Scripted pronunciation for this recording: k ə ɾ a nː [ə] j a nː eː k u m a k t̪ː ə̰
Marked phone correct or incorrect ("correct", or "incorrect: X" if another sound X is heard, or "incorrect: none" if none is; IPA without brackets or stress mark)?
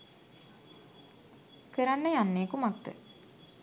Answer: correct